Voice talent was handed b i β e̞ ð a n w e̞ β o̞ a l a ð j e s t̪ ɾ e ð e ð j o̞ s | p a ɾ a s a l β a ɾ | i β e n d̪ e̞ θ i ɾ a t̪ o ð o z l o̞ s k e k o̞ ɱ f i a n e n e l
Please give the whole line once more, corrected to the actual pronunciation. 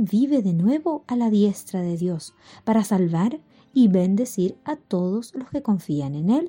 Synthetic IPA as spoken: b i β e̞ ð e n w e̞ β o̞ a l a ð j e s t̪ ɾ a ð e ð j o̞ s | p a ɾ a s a l β a ɾ | i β e n d̪ e̞ s i ɾ a t̪ o ð o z l o̞ s k e k o̞ ɱ f i a n e n e l